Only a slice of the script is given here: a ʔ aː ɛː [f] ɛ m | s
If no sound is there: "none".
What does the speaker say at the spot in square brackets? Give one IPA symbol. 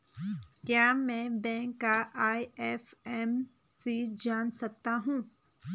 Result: f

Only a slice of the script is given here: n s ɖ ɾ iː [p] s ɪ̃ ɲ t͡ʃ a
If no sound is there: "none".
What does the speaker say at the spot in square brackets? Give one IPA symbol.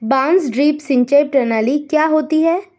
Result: p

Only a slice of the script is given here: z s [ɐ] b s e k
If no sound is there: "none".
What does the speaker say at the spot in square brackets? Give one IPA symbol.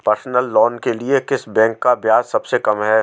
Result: ɐ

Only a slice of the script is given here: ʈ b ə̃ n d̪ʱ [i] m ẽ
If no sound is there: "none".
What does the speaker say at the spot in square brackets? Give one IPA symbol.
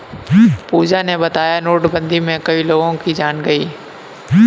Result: i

